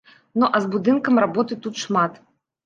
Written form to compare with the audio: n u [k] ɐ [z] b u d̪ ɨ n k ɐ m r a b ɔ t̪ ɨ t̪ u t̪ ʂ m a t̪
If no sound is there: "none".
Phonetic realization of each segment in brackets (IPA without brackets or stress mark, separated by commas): ʔ, z